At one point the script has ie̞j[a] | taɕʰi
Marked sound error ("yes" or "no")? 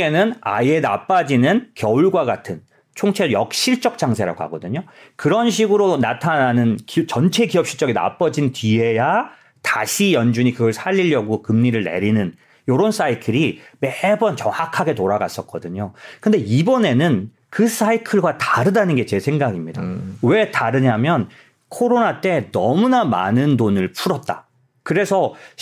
no